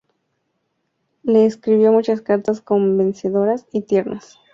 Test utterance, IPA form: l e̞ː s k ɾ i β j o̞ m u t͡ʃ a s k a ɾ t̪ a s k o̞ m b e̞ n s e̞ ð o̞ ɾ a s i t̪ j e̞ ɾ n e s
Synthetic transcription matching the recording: l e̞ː s k ɾ i β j o̞ m u t͡ʃ a s k a ɾ t̪ a s k o̞ m b e̞ n s e̞ ð o̞ ɾ a s i t̪ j e̞ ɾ n a s